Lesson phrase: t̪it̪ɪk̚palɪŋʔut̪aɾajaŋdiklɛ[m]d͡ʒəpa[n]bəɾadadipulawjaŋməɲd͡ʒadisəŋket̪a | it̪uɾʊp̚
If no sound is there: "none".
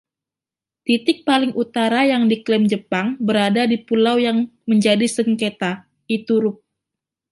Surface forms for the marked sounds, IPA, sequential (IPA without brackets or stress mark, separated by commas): m, ŋ